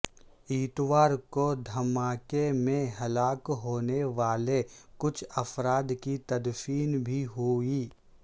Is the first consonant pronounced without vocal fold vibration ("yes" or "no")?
yes